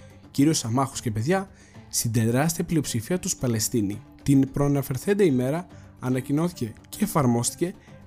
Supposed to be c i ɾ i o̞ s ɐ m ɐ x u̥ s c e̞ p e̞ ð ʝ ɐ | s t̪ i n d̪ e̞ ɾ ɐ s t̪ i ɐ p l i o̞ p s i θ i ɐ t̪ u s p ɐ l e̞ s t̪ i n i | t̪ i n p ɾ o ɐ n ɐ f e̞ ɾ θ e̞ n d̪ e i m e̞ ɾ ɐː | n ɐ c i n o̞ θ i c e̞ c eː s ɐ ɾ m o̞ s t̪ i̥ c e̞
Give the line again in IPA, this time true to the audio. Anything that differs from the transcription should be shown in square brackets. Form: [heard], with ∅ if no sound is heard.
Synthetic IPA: c i ɾ i o̞ s ɐ m ɐ x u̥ s c e̞ p e̞ ð ʝ ɐ | s t̪ i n d̪ e̞ ɾ ɐ s t̪ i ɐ p l i o̞ p s i [f] i ɐ t̪ u s p ɐ l e̞ s t̪ i n i | t̪ i n p ɾ o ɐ n ɐ f e̞ ɾ θ e̞ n d̪ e i m e̞ ɾ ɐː | n ɐ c i n o̞ θ i c e̞ c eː [f] ɐ ɾ m o̞ s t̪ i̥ c e̞